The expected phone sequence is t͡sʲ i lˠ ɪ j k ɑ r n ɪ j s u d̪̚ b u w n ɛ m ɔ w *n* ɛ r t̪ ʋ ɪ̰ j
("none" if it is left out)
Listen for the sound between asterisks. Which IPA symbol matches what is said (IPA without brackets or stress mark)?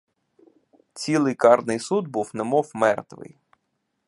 m